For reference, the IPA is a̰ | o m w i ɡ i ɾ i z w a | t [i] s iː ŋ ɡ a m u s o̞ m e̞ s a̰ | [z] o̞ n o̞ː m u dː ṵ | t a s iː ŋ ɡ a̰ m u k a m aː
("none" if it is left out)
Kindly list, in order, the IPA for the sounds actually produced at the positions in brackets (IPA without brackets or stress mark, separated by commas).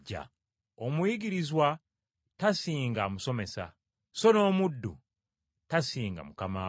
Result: a, s